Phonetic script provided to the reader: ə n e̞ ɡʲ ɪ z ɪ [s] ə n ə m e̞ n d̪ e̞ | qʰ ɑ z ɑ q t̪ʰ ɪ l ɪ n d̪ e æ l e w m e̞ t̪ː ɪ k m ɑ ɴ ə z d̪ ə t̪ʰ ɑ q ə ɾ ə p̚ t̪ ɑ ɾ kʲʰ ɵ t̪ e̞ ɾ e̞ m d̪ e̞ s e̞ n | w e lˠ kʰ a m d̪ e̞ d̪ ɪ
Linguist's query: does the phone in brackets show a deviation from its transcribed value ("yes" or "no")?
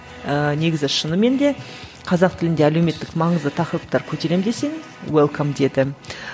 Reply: yes